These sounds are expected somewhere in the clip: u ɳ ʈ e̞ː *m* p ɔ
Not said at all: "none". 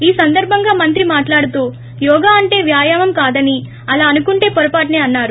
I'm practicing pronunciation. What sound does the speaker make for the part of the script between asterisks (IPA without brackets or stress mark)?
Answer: none